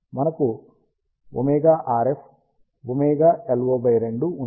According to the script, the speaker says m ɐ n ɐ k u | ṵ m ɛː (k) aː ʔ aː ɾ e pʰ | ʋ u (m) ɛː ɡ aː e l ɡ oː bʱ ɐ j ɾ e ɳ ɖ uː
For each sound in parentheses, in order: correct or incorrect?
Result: incorrect, correct

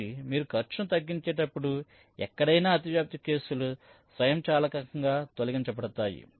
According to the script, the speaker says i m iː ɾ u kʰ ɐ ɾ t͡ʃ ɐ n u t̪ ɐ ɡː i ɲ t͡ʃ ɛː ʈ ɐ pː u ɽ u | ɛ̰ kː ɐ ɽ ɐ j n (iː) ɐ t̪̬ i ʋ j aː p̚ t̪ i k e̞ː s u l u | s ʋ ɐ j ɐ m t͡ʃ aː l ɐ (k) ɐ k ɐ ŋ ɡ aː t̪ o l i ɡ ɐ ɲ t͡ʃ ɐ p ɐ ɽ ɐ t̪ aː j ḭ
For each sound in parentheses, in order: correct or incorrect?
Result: incorrect, correct

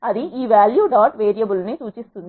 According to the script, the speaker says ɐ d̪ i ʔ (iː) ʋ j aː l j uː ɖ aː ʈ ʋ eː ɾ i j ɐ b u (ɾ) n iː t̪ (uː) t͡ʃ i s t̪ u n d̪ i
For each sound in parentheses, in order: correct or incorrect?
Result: correct, incorrect, correct

